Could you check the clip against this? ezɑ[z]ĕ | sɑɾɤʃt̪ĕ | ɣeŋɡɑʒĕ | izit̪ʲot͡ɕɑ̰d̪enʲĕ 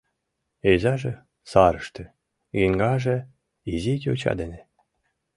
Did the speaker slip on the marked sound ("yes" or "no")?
yes